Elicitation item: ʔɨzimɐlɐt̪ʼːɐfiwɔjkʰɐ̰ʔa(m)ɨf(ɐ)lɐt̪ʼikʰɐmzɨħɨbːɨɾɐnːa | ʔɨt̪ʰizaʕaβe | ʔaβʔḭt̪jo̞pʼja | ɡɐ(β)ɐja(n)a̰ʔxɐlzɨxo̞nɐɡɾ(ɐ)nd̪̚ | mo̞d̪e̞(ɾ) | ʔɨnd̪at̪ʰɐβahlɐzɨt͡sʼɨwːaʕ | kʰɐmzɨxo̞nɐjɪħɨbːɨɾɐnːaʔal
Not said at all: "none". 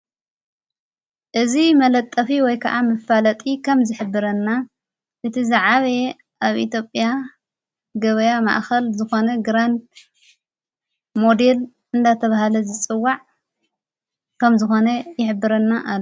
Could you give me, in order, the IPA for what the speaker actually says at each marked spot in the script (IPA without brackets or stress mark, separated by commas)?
m, a, β, m, a, l